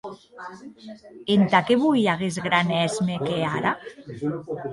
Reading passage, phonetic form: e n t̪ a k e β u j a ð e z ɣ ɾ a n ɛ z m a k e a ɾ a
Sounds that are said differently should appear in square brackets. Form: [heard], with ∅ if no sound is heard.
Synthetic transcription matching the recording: e n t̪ a k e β u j a [ɣ] e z ɣ ɾ a n ɛ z m [e] k e a ɾ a